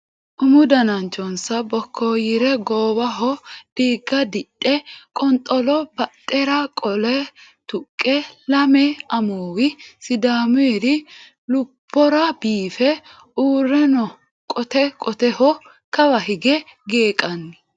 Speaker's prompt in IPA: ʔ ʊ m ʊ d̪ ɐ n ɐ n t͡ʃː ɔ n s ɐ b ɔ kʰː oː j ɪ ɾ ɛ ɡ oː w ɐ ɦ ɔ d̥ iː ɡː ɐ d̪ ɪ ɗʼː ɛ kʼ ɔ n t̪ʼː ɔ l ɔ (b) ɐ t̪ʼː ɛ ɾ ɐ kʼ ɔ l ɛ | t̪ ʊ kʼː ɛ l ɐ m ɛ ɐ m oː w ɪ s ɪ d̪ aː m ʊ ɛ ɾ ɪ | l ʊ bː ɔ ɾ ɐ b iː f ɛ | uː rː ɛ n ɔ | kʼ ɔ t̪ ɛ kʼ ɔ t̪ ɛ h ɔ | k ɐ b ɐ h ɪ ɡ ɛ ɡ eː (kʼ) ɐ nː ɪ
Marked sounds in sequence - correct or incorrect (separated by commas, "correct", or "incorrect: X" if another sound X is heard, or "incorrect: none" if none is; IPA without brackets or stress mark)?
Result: correct, correct